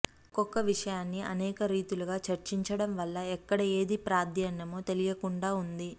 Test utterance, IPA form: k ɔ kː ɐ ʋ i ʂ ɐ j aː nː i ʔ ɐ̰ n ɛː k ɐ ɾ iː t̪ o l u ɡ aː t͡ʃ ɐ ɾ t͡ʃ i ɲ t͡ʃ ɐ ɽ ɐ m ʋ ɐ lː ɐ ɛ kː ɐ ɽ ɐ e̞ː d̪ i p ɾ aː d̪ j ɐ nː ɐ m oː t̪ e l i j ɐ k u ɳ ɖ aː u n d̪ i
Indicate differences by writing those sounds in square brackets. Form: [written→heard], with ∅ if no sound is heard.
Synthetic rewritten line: k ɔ kː ɐ ʋ i ʂ ɐ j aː nː i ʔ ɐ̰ n ɛː k ɐ ɾ iː t̪ [o→u] l u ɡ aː t͡ʃ ɐ ɾ t͡ʃ i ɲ t͡ʃ ɐ ɽ ɐ m ʋ ɐ lː ɐ ɛ kː ɐ ɽ ɐ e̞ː d̪ i p ɾ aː d̪ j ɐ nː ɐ m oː t̪ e l i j ɐ k u ɳ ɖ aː u n d̪ i